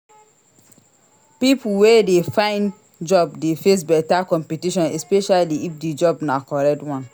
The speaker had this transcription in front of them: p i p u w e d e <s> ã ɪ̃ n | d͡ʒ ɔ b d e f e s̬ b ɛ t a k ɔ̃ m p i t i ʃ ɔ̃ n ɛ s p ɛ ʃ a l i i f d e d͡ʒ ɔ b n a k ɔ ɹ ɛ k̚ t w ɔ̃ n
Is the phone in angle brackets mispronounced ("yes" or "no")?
yes